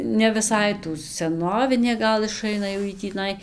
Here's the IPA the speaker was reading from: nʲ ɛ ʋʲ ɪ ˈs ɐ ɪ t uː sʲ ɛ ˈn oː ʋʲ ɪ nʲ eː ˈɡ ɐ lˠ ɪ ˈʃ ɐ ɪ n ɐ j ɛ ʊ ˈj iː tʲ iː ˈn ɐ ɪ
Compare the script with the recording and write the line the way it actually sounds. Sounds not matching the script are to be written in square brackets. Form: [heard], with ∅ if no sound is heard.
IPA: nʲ ɛ ʋʲ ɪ ˈs ɐ ɪ t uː sʲ ɛ ˈn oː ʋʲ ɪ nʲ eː ˈɡ ɐ lˠ ɪ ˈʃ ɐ ɪ n ɐ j ɛ ʊ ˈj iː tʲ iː ˈn ɐ ɪ